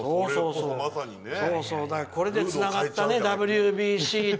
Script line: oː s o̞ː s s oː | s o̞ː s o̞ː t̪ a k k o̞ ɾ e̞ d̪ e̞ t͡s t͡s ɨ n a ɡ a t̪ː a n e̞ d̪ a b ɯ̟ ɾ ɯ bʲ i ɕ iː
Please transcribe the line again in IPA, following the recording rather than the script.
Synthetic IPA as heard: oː s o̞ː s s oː | s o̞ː s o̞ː d̪ a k k o̞ ɾ e̞ d̪ e̞ t͡s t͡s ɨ n a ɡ a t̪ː a n e̞ d̪ a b ɯ̟ ɾ ɯ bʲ i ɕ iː